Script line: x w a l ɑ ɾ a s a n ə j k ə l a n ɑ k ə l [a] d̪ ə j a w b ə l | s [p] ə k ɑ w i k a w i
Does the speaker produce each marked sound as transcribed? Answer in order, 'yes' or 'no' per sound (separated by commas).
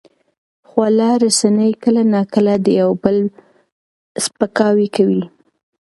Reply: yes, yes